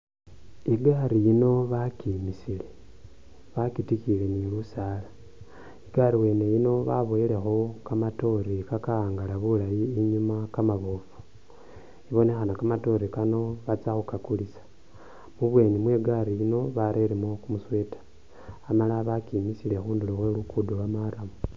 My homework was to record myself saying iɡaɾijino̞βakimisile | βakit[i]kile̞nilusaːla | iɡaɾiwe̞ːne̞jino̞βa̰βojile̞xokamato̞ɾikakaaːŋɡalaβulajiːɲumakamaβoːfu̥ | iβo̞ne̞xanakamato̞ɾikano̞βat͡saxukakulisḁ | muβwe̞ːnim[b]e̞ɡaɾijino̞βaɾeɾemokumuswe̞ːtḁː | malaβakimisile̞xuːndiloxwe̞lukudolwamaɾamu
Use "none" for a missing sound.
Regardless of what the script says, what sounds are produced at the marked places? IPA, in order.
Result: i, w

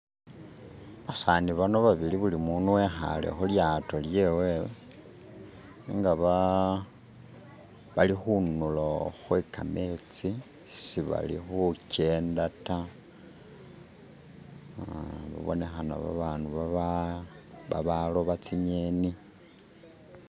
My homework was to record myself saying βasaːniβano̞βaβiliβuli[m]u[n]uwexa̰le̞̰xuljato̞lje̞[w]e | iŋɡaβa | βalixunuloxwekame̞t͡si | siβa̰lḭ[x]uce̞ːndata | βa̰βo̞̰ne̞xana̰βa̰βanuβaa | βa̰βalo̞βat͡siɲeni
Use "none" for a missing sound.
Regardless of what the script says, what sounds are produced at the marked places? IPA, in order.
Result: m, n, w, x

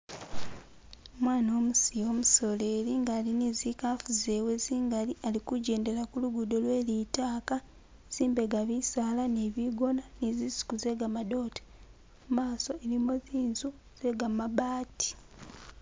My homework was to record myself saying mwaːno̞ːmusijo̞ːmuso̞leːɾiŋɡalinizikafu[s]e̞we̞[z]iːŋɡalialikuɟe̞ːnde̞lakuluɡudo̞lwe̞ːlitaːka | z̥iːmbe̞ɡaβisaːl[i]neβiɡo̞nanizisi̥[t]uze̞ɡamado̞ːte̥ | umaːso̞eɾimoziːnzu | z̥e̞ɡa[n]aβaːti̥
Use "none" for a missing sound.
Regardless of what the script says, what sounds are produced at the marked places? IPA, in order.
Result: z, z, a, k, m

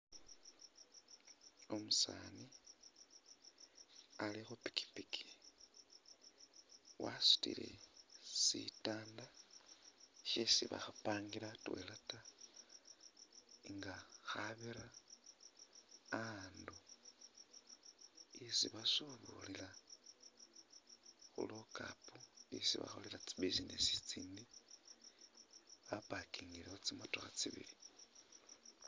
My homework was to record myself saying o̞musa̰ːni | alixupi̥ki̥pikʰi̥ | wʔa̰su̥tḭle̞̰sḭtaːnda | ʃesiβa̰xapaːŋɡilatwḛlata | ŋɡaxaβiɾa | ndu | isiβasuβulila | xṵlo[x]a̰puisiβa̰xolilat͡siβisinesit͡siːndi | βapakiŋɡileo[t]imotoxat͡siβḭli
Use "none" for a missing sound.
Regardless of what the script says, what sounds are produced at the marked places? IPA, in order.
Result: k, t͡s

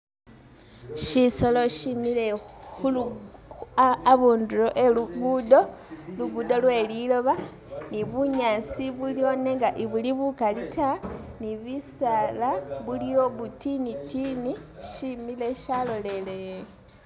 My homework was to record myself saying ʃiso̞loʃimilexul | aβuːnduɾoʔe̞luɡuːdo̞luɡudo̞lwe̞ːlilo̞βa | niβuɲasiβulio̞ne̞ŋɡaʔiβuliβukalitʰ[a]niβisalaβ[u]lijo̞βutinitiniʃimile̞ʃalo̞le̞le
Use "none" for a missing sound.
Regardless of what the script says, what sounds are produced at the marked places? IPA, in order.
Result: a, u

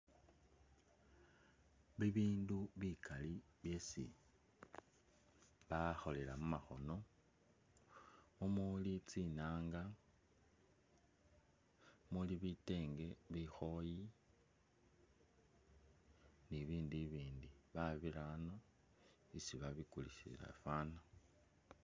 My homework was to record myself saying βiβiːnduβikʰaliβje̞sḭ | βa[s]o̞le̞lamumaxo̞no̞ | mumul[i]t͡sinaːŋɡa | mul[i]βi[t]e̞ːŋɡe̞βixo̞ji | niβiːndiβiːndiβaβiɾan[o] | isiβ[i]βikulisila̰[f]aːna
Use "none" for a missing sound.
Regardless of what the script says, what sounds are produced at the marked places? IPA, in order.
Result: x, i, i, t, o, a, f

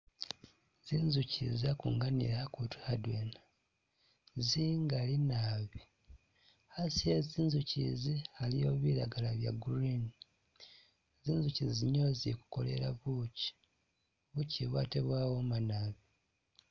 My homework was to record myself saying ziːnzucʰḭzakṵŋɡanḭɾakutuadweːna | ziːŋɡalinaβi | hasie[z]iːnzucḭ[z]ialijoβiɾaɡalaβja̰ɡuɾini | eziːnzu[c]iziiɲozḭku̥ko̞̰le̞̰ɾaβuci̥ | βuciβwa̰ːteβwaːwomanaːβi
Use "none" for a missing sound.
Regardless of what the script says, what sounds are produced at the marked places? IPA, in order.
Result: z, z, c

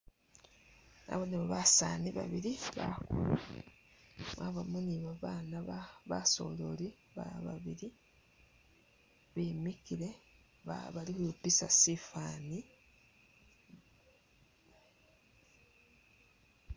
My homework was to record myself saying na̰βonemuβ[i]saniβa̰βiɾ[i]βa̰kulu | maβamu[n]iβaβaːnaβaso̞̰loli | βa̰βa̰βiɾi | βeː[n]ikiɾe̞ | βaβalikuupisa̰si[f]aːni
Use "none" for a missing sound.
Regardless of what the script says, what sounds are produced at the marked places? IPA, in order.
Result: a, i, n, m, f

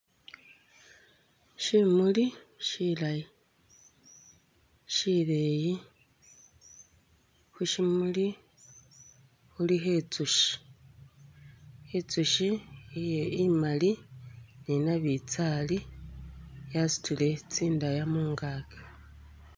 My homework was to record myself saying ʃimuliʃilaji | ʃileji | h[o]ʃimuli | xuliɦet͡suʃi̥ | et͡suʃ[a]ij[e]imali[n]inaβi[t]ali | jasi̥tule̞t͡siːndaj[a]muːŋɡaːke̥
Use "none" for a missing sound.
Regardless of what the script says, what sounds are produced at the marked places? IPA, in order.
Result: u, i, e, n, t͡s, a

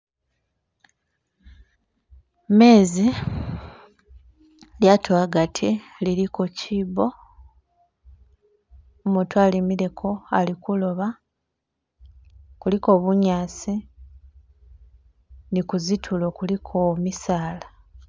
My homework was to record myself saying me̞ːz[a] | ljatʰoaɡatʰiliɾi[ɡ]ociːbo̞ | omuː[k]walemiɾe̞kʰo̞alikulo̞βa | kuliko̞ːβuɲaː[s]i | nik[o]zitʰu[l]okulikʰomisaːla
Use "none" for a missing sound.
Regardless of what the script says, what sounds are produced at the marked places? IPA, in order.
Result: i, k, t, s, u, l

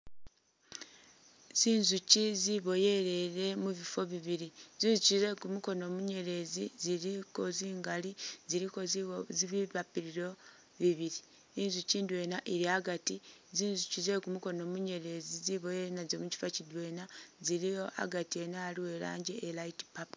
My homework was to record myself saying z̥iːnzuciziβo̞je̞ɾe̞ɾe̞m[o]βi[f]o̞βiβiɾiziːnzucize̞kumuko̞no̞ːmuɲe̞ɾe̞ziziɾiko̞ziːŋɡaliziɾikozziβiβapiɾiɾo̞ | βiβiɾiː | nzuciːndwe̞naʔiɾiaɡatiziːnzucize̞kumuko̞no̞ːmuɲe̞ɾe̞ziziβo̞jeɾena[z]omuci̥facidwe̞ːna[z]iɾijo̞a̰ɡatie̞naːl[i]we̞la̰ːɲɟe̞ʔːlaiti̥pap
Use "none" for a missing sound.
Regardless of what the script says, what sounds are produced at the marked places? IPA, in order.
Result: u, f, z, z, i

